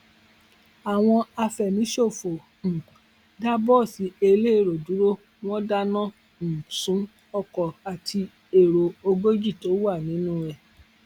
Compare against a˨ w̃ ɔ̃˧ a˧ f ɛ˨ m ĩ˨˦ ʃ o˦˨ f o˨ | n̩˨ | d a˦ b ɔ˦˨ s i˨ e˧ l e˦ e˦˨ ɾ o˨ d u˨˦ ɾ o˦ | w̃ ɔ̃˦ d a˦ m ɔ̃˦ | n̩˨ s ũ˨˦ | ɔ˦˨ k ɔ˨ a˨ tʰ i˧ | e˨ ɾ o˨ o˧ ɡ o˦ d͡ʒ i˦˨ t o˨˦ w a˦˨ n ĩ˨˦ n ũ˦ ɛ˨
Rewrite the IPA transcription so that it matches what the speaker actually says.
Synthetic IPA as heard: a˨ w̃ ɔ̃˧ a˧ f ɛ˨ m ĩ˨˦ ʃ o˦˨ f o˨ | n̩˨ | d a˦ b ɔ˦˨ s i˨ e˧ l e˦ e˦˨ ɾ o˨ d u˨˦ ɾ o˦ | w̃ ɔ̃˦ d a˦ n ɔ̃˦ | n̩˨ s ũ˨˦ | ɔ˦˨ k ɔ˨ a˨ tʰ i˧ | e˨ ɾ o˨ o˧ ɡ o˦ d͡ʒ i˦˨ t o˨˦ w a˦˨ n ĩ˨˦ n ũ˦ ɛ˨